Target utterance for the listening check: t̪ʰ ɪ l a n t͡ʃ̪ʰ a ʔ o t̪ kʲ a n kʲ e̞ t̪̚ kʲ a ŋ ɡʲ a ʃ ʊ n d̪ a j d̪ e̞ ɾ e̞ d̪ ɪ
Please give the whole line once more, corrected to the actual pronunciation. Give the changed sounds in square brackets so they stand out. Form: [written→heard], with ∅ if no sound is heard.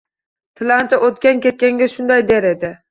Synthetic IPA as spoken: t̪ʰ ɪ l a n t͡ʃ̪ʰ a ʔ o t̪ kʲ a n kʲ e̞ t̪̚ kʲ a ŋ ɡʲ a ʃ ʊ n d̪ a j d̪ e̞ ɾ e̞ d̪ ɪ